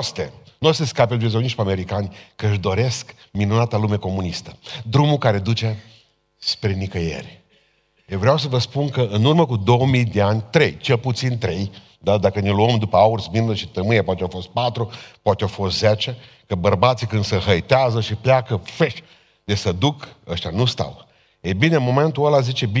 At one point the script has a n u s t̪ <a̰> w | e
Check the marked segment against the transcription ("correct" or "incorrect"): correct